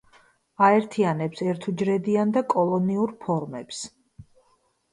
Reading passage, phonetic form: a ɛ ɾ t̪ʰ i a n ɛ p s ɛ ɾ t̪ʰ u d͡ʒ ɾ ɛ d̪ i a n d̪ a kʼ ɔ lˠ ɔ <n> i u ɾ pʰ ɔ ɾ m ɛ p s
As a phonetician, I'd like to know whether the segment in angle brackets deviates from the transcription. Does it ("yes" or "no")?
no